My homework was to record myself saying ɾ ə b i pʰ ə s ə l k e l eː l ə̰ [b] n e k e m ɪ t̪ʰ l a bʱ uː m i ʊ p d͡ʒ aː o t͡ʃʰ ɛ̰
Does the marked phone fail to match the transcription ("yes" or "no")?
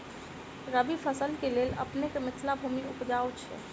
yes